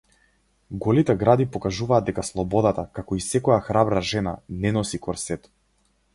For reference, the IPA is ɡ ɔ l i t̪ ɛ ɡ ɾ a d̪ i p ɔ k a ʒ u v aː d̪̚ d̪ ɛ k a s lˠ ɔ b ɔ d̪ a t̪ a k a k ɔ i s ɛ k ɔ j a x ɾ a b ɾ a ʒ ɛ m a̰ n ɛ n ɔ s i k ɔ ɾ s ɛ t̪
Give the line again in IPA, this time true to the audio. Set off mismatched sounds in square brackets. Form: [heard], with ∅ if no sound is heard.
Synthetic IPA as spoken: ɡ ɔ l i t̪ ɛ ɡ ɾ a d̪ i p ɔ k a ʒ u v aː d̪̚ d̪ ɛ k a s lˠ ɔ b ɔ d̪ a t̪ a k a k ɔ i s ɛ k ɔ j a x ɾ a b ɾ a ʒ ɛ [n] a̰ n ɛ n ɔ s i k ɔ ɾ s ɛ t̪